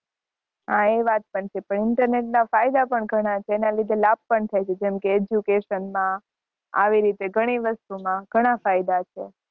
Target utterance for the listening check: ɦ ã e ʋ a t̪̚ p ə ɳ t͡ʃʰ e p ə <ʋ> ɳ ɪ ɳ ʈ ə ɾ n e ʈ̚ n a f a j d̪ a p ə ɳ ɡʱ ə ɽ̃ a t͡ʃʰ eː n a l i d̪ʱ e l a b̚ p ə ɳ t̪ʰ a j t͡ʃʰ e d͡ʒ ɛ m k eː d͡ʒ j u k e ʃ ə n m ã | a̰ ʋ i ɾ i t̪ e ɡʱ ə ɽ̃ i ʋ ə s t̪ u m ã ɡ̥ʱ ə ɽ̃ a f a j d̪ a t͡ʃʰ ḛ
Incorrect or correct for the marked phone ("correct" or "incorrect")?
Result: incorrect